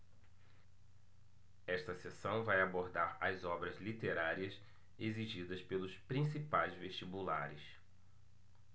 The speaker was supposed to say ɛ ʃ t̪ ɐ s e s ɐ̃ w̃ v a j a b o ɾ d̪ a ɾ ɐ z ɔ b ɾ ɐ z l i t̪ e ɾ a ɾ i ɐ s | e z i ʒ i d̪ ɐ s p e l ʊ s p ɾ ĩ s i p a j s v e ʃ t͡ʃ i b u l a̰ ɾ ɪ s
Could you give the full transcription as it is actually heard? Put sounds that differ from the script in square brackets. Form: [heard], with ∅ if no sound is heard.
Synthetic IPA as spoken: ɛ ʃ t̪ ɐ s e s ɐ̃ w̃ v a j a b o ɾ d̪ a ɾ ɐ z ɔ b ɾ ɐ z l i t̪ e ɾ a ɾ i ɐ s | e z i ʒ i d̪ ɐ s p e l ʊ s p ɾ ĩ s i p a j [z] v e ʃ t͡ʃ i b u l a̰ ɾ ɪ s